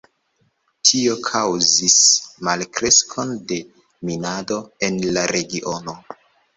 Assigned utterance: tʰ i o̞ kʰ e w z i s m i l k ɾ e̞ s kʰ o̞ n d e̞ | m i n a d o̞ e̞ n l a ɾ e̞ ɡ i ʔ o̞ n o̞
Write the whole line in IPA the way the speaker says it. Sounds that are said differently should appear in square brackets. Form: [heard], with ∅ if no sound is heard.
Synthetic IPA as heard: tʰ i o̞ kʰ [a] w z i s m [a] l k ɾ e̞ s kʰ o̞ n d e̞ | m i n a d o̞ e̞ n l a ɾ e̞ ɡ i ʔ o̞ n o̞